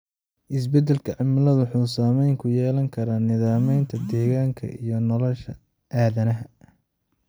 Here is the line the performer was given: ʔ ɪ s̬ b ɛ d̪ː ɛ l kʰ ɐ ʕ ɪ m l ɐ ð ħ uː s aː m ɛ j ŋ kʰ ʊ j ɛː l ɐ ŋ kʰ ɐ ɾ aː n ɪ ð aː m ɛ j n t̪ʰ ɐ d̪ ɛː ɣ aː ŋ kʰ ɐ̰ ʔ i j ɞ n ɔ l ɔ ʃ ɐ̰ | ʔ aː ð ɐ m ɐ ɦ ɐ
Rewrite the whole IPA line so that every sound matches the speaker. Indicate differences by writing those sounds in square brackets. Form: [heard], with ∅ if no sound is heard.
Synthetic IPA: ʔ ɪ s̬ b ɛ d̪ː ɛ l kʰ ɐ ʕ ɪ m l ɐ ð ħ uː s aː m ɛ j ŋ kʰ ʊ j ɛː l ɐ ŋ kʰ ɐ ɾ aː n ɪ ð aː m ɛ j n t̪ʰ ɐ d̪ ɛː ɣ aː ŋ kʰ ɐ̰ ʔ i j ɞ n ɔ l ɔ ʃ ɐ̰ | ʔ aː ð ɐ [n] ɐ ɦ ɐ